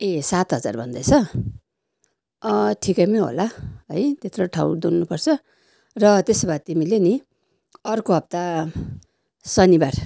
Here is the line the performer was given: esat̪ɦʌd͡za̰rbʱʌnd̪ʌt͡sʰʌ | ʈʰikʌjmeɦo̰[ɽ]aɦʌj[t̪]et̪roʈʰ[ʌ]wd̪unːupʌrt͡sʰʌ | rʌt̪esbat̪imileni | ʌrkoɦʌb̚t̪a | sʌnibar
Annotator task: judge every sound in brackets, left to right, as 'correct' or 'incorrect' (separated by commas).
incorrect, correct, incorrect